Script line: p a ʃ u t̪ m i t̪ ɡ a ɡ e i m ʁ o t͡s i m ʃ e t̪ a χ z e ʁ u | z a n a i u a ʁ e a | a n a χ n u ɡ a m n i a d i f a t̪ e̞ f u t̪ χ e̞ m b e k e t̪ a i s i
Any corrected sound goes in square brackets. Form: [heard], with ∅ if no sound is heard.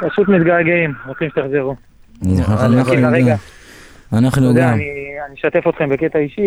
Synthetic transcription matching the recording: p a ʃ u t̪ m i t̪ ɡ a ɡ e i m ʁ o t͡s i m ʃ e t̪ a χ z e ʁ u | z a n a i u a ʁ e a | a n a χ n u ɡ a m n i a [n] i [ʃ] a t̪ e̞ f [o] t̪ χ e̞ m b e k e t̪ a i [ʃ] i